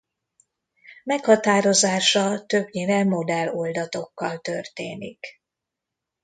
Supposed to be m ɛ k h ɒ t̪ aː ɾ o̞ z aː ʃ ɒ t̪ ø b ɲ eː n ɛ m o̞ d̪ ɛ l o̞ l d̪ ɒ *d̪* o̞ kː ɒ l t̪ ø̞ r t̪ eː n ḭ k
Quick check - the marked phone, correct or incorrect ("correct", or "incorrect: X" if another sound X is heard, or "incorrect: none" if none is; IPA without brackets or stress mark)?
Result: incorrect: t̪